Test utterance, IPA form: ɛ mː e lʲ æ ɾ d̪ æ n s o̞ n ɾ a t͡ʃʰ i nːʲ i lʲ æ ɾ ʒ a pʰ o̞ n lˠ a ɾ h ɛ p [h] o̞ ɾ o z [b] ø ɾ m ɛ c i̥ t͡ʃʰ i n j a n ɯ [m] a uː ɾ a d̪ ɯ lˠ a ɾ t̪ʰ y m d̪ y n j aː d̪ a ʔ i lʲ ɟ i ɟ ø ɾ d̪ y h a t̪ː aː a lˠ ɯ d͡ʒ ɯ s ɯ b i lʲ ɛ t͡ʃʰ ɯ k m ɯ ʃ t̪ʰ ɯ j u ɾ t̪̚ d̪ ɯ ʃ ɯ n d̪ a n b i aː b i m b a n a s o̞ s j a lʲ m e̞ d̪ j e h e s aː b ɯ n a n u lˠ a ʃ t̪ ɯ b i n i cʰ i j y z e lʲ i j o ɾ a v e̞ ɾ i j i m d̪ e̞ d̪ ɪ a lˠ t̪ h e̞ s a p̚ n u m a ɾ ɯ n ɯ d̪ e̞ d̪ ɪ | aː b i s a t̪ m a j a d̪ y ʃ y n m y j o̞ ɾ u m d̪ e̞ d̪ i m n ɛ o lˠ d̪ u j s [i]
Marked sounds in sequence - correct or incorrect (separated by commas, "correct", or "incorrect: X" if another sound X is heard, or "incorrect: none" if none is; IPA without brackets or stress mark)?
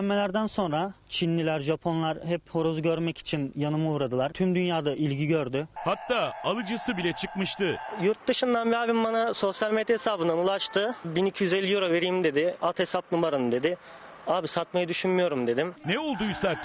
correct, incorrect: ɟ, correct, incorrect: a